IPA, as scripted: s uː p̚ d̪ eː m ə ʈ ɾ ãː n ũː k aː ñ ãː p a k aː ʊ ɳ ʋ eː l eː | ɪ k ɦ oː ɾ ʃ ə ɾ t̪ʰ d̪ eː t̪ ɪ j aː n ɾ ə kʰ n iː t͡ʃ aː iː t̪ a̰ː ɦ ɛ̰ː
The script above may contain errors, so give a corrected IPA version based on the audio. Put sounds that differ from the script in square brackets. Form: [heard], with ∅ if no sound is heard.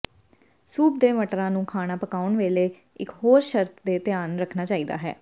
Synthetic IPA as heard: s uː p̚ d̪ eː m ə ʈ ɾ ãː n ũː [kʰ] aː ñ [aː] p [ə] k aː ʊ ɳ ʋ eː l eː | ɪ k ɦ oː ɾ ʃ ə ɾ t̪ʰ d̪ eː t̪ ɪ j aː n ɾ ə kʰ n [aː] t͡ʃ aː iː [d̪] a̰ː ɦ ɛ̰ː